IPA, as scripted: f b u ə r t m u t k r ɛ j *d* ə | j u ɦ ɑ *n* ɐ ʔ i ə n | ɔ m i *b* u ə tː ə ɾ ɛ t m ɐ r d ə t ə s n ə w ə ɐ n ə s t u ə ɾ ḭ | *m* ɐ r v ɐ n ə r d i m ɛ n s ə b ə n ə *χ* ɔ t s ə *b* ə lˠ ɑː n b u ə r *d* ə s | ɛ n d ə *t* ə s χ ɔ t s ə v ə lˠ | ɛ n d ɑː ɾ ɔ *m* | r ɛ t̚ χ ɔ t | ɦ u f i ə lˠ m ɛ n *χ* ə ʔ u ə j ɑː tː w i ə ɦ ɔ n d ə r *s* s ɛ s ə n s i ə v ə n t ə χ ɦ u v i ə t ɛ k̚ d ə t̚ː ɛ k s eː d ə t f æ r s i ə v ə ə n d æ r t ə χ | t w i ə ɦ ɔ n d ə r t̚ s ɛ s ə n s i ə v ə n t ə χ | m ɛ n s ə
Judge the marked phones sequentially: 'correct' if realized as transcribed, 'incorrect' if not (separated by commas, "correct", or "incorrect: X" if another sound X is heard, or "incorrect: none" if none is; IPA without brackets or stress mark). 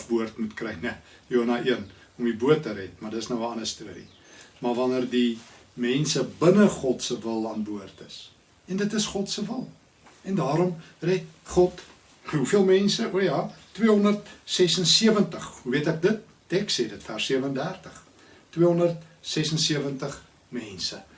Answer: incorrect: n, correct, correct, correct, correct, incorrect: v, incorrect: t, correct, correct, incorrect: s, incorrect: t